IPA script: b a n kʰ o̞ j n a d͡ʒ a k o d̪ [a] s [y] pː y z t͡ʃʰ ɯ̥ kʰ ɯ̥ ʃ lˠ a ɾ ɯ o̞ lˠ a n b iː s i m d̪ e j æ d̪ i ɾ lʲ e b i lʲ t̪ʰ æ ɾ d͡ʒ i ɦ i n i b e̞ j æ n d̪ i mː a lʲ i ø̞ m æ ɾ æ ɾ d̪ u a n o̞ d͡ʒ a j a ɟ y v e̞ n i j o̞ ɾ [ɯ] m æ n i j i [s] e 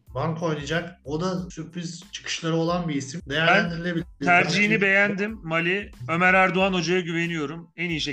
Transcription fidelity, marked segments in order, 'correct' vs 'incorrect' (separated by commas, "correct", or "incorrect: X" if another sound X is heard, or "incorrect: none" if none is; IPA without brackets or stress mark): correct, correct, incorrect: u, incorrect: ʃ